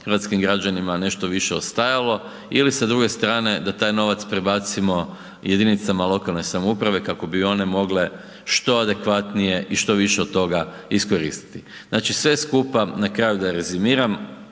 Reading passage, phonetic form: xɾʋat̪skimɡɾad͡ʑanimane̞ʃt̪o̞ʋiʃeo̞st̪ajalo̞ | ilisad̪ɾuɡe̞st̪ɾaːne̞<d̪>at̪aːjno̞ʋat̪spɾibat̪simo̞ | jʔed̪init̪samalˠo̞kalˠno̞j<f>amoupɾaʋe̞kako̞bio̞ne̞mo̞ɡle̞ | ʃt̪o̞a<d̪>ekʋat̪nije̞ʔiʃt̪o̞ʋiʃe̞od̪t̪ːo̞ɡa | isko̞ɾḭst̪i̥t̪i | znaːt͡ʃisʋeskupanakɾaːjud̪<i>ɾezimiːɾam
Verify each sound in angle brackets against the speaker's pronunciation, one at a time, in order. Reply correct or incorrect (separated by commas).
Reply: correct, incorrect, correct, incorrect